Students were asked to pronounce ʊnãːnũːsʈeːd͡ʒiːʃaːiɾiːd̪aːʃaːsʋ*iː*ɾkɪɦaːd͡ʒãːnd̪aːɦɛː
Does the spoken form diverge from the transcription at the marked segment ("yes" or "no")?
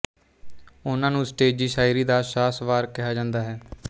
yes